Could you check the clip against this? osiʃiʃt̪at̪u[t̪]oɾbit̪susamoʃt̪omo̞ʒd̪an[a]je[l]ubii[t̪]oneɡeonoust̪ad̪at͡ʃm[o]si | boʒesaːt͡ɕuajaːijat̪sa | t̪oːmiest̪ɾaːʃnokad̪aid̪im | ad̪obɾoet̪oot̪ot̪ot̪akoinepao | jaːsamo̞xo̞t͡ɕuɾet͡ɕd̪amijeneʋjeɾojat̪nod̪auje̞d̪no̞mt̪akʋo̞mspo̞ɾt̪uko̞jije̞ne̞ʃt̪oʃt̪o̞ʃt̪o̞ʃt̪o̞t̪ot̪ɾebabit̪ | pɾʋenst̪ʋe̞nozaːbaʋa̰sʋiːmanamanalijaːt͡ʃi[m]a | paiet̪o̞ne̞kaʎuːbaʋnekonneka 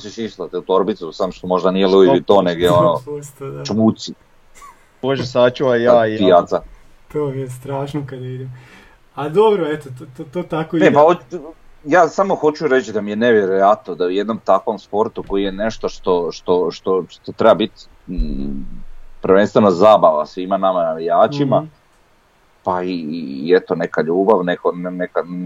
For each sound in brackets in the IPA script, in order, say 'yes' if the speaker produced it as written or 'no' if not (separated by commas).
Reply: yes, no, yes, yes, no, yes